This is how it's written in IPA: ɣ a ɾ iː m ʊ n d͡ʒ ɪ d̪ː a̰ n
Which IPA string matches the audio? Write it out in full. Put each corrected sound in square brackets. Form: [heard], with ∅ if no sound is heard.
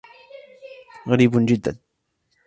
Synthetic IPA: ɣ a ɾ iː [b] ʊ n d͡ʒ ɪ d̪ː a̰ n